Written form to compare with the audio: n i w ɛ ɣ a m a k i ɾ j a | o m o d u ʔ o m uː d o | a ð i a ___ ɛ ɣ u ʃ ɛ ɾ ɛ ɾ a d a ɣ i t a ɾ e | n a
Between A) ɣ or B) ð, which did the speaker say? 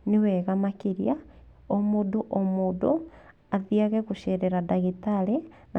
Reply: A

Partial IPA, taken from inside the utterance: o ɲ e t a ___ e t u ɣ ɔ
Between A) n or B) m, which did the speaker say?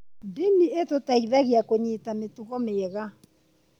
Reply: B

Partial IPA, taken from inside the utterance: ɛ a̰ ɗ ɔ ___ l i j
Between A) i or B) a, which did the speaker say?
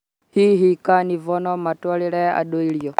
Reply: A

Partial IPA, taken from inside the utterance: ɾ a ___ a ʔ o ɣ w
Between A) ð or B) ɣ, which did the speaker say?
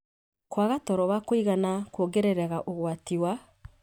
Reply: B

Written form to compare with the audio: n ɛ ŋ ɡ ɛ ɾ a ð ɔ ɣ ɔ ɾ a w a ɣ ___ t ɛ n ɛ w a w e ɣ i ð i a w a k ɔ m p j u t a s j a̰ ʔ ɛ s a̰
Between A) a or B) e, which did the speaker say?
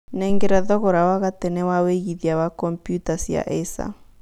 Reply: A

